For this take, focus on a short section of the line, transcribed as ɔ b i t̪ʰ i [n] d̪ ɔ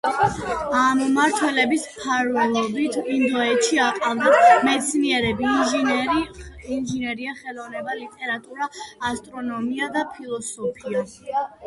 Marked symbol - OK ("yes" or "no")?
yes